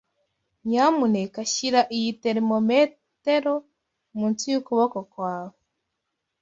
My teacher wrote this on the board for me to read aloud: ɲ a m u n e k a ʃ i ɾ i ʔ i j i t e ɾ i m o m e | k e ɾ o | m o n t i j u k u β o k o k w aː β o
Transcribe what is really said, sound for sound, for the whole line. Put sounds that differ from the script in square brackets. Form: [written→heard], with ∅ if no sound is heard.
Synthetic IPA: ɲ a m u n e k a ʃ i ɾ [i→a] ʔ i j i t e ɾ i m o m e | [k→t] e ɾ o | m [o→u] n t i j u k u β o k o k w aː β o